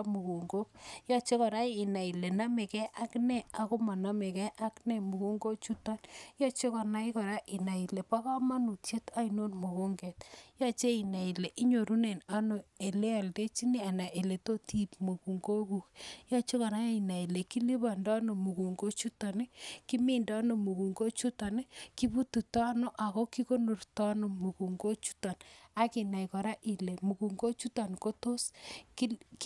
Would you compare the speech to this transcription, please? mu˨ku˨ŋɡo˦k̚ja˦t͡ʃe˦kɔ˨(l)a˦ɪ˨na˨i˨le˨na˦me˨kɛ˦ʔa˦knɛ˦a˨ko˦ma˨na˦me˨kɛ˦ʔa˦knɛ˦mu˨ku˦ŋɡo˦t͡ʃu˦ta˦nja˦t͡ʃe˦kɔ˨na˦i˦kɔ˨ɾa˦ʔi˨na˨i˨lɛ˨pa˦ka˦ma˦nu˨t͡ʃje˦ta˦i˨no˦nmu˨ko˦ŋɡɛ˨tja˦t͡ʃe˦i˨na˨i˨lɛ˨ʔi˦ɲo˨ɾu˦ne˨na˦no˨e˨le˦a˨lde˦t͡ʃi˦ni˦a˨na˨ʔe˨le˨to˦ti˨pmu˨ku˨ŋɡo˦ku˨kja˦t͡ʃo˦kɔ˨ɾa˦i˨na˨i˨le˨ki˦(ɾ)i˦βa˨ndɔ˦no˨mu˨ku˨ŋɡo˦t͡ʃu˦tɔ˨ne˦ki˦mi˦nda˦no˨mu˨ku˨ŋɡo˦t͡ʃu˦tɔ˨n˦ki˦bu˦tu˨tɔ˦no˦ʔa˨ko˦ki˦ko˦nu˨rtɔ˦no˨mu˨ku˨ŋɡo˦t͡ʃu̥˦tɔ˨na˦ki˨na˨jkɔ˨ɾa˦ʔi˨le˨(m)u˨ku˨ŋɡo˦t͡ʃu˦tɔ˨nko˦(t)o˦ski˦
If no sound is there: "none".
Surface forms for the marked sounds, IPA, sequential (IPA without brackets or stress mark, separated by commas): ɾ, l, m, t